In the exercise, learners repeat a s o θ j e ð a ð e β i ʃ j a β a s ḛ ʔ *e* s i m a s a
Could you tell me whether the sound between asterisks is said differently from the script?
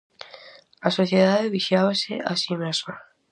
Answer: yes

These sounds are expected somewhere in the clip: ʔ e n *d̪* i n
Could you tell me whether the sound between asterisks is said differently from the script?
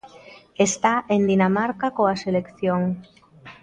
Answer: no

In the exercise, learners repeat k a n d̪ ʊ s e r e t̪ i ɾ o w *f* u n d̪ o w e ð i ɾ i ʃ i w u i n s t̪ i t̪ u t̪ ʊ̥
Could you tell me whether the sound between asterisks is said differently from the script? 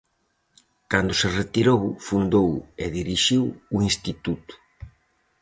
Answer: no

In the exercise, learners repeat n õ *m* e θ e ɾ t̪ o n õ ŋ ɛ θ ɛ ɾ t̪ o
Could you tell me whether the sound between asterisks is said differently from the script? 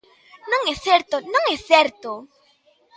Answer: yes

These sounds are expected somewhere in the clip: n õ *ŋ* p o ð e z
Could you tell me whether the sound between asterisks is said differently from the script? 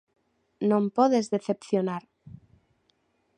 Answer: yes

